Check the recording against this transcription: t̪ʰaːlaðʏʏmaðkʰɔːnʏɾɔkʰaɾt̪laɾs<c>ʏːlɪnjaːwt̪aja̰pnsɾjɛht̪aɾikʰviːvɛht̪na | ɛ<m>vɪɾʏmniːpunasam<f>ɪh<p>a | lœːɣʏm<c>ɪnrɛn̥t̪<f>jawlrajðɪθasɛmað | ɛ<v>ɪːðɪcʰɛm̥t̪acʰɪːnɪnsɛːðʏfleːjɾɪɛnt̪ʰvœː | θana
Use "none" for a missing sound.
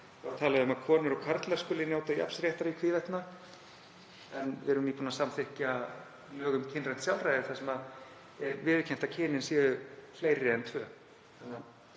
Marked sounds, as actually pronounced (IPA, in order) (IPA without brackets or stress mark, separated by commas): k, n, θ, c, cʰ, s, v